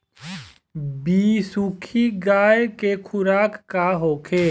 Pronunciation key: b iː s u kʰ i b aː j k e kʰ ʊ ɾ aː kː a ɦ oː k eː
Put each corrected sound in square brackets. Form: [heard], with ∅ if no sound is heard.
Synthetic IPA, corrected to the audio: b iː s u kʰ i [ɡ] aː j k e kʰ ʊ ɾ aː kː a ɦ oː [kʰ] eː

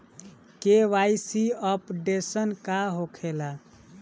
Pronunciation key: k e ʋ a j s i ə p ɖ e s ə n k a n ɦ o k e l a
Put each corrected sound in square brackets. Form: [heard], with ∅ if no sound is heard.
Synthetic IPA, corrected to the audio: k e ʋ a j s i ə p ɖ e s ə n k a [∅] ɦ o [kʰ] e l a

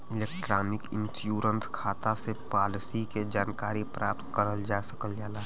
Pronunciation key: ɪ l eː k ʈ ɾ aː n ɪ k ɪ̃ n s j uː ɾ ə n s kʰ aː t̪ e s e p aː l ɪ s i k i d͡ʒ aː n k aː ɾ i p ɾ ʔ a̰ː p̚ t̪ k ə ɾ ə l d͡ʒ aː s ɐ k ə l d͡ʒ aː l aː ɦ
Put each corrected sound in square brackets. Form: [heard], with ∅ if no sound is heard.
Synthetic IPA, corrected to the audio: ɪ l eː k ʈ ɾ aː n ɪ k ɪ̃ n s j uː ɾ ə n s kʰ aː t̪ [a] s e p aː l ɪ s i k [e] d͡ʒ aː n k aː ɾ i p ɾ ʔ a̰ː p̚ t̪ k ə ɾ ə l d͡ʒ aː s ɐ k ə l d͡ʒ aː l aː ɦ

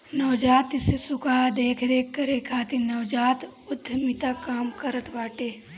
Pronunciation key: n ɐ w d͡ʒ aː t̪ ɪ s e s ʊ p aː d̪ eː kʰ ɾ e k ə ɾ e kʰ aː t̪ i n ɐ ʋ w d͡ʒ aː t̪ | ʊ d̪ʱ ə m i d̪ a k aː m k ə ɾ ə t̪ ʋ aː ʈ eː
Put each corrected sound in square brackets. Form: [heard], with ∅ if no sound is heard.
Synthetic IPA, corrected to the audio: n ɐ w d͡ʒ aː t̪ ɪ s e s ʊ [k] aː d̪ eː kʰ ɾ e k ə ɾ e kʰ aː t̪ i n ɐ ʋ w d͡ʒ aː t̪ | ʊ d̪ʱ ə m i [t̪] a k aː m k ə ɾ ə t̪ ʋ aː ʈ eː

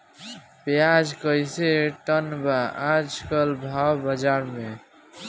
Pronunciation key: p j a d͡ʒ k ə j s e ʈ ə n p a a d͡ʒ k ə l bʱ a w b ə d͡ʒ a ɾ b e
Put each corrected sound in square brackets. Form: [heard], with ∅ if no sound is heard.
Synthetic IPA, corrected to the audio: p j a d͡ʒ k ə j s e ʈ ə n [b] a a d͡ʒ k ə l bʱ a w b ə d͡ʒ a ɾ [m] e

